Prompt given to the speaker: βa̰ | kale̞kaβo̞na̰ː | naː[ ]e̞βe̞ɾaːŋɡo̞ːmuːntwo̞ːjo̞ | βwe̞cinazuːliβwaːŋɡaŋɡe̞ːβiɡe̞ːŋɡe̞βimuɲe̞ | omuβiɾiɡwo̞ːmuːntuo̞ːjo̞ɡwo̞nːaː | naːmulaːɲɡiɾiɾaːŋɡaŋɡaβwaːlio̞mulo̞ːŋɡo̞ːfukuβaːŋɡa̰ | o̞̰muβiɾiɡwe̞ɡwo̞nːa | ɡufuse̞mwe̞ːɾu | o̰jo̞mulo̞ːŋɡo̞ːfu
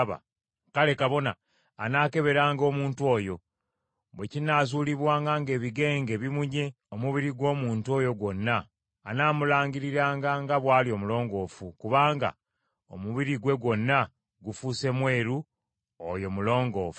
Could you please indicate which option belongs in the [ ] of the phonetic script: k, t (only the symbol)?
k